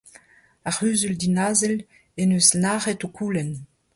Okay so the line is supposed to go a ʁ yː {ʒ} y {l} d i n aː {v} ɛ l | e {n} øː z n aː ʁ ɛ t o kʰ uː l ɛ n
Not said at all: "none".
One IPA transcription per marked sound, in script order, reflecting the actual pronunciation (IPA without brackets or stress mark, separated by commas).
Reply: z, l, z, n